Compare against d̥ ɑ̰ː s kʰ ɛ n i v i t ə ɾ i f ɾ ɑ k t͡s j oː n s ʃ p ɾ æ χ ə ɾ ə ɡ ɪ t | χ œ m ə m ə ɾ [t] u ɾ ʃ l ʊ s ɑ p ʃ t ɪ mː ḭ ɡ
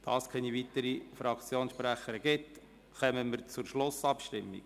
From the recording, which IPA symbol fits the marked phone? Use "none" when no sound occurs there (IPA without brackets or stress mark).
t͡s